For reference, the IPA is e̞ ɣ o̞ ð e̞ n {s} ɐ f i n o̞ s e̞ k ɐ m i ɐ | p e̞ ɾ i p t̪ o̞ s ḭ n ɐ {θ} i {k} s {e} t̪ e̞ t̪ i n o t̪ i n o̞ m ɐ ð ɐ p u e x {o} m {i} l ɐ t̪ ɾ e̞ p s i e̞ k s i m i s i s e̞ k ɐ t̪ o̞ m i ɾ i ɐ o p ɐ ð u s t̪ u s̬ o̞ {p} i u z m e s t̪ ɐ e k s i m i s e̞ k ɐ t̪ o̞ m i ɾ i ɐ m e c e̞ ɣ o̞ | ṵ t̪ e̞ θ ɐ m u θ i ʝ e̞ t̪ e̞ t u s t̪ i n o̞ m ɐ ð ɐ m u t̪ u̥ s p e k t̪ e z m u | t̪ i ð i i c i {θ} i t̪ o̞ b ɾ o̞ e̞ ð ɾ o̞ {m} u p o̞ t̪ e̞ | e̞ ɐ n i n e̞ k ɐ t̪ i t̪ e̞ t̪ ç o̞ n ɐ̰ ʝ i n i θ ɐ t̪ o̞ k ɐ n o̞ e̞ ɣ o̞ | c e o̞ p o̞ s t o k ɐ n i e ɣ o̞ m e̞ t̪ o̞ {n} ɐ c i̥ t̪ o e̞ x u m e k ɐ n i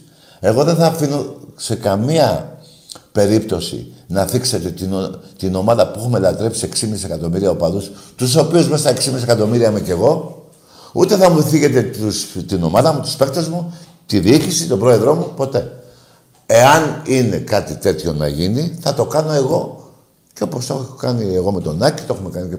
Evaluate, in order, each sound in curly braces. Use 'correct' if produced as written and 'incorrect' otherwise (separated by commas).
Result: incorrect, correct, correct, correct, incorrect, incorrect, correct, incorrect, correct, correct